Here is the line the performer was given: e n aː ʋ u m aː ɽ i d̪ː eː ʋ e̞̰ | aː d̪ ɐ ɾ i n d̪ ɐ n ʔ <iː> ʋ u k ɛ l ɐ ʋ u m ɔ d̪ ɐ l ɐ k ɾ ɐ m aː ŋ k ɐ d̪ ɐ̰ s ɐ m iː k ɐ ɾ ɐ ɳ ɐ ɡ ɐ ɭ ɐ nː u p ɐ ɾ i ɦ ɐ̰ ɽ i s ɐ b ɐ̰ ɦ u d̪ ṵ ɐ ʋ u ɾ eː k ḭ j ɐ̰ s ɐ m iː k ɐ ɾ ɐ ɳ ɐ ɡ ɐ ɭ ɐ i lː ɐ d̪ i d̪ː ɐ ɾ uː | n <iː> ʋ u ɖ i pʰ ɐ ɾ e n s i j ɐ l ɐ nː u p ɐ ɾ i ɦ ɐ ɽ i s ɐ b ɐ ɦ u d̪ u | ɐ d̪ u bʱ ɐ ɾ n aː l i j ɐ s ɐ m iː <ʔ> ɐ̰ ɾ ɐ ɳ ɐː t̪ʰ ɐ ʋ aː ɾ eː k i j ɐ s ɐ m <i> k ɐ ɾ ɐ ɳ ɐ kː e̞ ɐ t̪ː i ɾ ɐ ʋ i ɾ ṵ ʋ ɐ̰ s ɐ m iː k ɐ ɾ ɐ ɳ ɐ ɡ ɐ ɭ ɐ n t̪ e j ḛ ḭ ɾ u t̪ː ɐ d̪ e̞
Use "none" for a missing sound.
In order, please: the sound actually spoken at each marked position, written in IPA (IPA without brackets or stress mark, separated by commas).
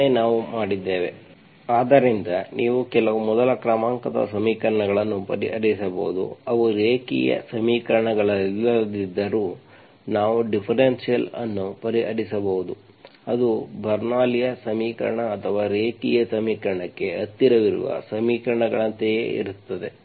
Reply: iː, aː, k, iː